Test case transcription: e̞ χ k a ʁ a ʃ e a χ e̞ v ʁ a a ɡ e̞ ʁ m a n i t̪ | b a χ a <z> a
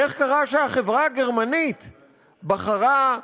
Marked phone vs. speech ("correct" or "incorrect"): incorrect